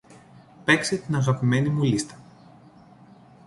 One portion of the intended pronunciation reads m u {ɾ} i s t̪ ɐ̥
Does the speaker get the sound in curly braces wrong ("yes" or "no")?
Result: yes